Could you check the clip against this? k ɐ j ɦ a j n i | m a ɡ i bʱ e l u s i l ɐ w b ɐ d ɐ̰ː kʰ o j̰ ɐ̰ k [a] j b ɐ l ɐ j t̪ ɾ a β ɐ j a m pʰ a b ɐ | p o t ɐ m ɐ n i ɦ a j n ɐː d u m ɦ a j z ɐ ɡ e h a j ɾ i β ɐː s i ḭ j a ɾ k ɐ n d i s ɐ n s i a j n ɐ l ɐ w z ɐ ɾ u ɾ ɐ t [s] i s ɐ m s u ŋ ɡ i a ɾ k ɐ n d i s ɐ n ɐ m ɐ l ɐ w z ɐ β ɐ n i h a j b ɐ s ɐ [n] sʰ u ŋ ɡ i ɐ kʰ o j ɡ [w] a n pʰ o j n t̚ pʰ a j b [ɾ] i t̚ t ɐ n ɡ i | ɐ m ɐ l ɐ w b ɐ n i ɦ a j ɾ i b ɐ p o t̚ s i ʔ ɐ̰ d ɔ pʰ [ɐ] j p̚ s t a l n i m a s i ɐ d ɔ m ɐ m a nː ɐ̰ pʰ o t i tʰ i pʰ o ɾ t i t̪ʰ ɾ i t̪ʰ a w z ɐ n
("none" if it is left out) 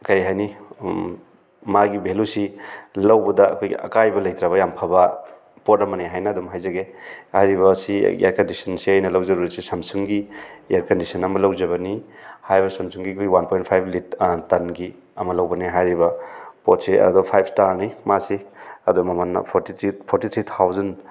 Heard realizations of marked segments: a, s, m, w, l, a

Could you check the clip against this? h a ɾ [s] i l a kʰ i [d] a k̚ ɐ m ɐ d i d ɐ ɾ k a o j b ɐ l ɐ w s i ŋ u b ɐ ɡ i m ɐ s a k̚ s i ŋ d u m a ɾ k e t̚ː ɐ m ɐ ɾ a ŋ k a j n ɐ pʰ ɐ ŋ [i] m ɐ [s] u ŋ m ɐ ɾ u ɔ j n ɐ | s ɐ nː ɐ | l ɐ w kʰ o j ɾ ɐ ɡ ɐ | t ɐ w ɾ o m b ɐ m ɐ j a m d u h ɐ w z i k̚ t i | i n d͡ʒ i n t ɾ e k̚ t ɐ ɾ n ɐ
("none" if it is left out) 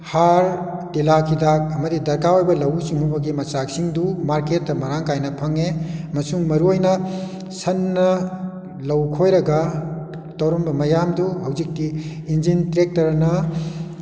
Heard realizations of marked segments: t, d, e, s

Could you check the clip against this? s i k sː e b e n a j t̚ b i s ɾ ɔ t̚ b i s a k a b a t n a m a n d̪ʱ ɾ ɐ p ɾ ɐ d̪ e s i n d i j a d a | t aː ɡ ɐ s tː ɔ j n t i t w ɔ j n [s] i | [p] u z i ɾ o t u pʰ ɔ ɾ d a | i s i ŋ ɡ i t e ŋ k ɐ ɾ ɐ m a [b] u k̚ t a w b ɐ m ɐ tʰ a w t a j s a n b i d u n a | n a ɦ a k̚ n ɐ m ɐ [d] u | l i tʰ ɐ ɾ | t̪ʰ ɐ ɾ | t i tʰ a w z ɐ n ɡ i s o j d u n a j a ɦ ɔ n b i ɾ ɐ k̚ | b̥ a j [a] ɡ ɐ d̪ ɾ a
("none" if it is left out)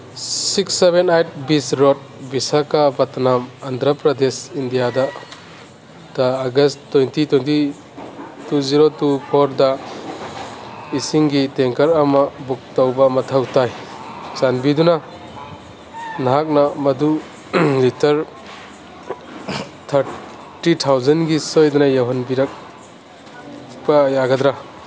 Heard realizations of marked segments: t, t, b, d, a

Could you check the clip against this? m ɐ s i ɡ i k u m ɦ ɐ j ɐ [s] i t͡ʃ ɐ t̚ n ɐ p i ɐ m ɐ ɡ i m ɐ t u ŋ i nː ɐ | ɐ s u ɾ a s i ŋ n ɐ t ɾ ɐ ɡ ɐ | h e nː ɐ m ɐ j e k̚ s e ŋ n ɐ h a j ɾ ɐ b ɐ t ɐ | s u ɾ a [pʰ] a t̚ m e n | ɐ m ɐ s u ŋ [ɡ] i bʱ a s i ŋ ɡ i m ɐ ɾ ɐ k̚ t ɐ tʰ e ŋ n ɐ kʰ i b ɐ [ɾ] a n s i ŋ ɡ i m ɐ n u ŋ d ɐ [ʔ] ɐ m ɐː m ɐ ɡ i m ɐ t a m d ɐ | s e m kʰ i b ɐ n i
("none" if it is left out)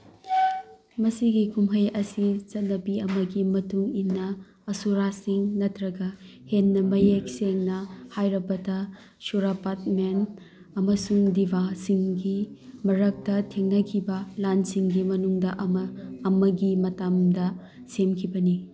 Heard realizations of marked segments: s, p, d, l, ʔ

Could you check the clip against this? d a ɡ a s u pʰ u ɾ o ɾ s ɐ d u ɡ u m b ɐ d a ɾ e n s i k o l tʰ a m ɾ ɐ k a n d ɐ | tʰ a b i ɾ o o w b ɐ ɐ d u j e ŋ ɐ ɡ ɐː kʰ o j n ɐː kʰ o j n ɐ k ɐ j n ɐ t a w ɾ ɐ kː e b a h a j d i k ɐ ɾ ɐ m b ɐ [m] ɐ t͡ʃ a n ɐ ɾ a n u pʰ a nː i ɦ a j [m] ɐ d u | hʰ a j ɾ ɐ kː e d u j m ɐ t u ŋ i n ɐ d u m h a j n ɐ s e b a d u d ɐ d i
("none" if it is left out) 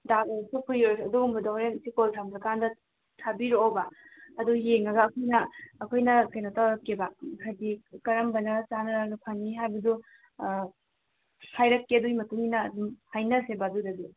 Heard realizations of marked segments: n, b

